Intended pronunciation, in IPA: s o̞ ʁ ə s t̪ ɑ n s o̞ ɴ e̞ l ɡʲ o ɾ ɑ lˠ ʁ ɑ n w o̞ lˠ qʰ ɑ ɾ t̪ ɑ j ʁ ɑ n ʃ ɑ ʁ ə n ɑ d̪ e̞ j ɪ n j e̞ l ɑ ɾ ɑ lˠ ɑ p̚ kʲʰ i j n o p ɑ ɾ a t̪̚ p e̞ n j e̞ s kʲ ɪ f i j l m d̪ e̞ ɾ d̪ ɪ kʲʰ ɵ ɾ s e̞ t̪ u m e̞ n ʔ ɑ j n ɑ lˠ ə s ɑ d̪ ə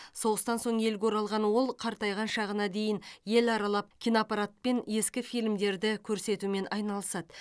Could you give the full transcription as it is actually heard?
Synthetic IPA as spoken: s o̞ ʁ ə s t̪ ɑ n s o̞ ɴ e̞ l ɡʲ o ɾ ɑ lˠ ʁ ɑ n w o̞ lˠ qʰ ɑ ɾ t̪ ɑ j ʁ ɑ n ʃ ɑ ʁ ə n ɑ d̪ e̞ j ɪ n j e̞ l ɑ ɾ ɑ lˠ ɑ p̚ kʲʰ i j n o p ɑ ɾ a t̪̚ p e̞ n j e̞ s kʲ ɪ f i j l m d̪ e̞ ɾ d̪ ɪ kʲʰ ɵ ɾ s e̞ t̪ u m e̞ n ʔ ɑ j n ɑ lˠ ə s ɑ d̪ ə

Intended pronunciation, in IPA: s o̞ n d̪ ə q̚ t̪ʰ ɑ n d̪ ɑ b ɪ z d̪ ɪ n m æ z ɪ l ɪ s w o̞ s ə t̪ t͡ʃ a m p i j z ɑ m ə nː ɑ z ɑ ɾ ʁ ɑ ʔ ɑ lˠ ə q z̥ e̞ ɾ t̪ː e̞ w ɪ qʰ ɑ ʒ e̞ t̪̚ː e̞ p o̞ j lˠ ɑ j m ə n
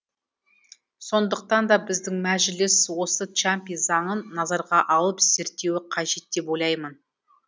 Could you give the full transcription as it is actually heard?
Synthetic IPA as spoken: s o̞ n d̪ ə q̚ t̪ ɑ n d̪ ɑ b ɪ z d̪ ɪ ŋ m æ ʒ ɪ l ɪ s w o̞ s ə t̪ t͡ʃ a m p i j z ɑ ɴ ə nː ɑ z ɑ ɾ ʁ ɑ ʔ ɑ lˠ ə p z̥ e̞ ɾ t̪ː e̞ w ɪ qʰ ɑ ʒ e̞ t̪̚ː e̞ p o̞ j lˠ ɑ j m ə n

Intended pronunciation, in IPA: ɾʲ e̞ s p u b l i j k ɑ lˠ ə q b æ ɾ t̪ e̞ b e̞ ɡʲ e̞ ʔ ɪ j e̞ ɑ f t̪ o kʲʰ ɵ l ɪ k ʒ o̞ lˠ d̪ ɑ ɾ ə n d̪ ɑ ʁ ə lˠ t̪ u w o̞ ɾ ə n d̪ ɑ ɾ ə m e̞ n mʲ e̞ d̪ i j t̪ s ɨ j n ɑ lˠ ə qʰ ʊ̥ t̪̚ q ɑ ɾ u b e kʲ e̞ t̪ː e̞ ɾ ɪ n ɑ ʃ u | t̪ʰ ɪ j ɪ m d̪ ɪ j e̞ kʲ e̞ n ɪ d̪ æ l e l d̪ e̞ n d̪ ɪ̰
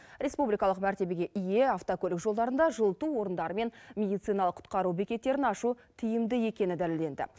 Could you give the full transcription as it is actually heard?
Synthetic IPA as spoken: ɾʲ e̞ s p u b l i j k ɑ lˠ ə q m æ ɾ t̪ e̞ b e̞ ɡʲ e̞ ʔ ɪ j e̞ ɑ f t̪ o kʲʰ ɵ l ɪ k ʒ o̞ lˠ d̪ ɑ ɾ ə n d̪ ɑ ʒ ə lˠ t̪ u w o̞ ɾ ə n d̪ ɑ ɾ ə m e̞ n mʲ e̞ d̪ i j t̪ s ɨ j n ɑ lˠ ə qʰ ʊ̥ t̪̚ q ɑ ɾ u b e kʲ e̞ t̪ː e̞ ɾ ɪ n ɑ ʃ u | t̪ʰ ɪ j ɪ m d̪ ɪ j e̞ kʲ e̞ n ɪ d̪ æ l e l d̪ e̞ n d̪ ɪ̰

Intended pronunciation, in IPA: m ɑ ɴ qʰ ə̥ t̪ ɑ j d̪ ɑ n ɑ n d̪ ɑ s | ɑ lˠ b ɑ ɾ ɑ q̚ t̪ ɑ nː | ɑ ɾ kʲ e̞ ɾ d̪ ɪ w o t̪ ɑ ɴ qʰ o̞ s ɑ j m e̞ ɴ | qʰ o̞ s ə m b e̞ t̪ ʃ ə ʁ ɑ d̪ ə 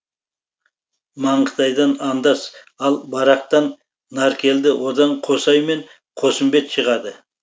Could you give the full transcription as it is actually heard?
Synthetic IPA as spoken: m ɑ ɴ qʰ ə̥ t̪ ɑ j d̪ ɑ n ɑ n d̪ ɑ s | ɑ lˠ b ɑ ɾ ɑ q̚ t̪ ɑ nː | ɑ ɾ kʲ e̞ l d̪ ɪ w o d̪ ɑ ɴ qʰ o̞ s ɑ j m e̞ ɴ | qʰ o̞ s ə m b e̞ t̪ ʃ ə ʁ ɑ d̪ ə

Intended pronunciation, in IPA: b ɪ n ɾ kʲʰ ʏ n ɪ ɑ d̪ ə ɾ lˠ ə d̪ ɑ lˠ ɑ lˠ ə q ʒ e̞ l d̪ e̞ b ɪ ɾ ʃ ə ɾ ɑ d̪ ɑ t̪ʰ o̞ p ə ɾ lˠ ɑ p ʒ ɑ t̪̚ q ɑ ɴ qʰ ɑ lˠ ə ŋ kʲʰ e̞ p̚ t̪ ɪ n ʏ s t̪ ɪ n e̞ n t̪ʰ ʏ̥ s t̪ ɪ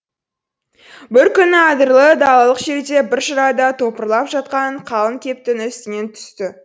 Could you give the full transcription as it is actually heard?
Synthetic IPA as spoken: b ɪ ɾ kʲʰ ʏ n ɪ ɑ d̪ ə ɾ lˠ ə d̪ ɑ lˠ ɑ lˠ ə q ʒ e̞ ɾ d̪ e̞ b ɪ ɾ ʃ ə ɾ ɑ d̪ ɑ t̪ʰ o̞ p ə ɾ lˠ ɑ p ʒ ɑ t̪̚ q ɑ ɴ qʰ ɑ lˠ ə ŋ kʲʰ e̞ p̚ t̪ ɪ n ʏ s t̪ ɪ n e̞ n t̪ʰ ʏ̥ s t̪ ɪ

